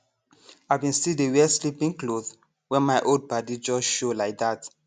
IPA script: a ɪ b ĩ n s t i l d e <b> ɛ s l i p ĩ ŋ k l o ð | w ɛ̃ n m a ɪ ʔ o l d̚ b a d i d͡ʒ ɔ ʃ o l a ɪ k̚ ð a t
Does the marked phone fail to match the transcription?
yes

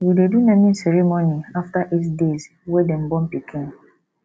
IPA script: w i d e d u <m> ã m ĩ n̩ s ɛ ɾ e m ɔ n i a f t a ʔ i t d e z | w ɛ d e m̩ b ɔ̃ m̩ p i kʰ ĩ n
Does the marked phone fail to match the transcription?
yes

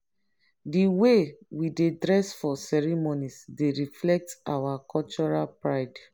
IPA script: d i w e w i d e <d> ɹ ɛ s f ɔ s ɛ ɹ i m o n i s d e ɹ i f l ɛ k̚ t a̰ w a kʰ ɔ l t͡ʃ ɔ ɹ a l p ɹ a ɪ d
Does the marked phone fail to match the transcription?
no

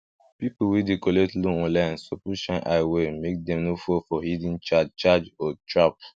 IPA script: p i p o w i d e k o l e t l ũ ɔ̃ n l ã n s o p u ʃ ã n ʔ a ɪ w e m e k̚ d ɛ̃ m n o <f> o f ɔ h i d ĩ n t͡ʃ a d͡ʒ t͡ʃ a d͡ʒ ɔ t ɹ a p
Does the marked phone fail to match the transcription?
no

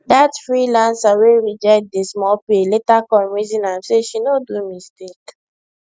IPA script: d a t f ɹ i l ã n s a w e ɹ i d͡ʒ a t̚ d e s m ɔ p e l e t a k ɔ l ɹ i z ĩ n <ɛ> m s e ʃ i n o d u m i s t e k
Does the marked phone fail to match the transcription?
yes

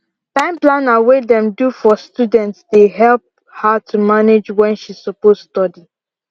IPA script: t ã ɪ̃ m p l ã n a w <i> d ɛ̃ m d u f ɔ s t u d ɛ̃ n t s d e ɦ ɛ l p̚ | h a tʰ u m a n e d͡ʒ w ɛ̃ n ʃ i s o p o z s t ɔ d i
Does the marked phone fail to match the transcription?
yes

